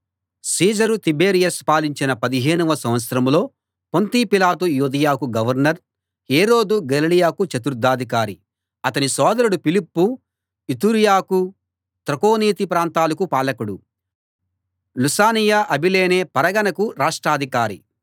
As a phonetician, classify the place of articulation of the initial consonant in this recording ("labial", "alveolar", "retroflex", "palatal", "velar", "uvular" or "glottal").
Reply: alveolar